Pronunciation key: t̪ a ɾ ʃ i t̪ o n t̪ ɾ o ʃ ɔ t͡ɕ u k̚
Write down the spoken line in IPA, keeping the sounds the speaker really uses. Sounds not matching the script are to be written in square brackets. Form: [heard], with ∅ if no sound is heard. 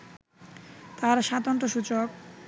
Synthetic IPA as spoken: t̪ a ɾ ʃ [a] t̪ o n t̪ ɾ o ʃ [u] t͡ɕ [o] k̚